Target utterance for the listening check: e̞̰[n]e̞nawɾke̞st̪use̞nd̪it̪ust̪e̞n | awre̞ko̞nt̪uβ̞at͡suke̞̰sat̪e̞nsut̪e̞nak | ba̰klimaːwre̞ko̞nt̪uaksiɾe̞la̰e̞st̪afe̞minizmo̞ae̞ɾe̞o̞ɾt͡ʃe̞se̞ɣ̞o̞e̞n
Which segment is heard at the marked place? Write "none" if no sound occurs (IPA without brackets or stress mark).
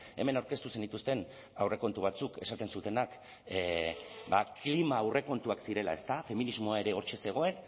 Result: m